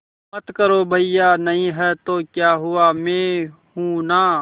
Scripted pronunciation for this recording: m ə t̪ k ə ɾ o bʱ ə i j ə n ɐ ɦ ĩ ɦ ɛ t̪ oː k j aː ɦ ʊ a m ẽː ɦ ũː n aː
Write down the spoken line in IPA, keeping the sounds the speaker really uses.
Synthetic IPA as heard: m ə t̪ k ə ɾ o bʱ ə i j a n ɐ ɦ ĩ ɦ ɛ t̪ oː k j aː ɦ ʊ a m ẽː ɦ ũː n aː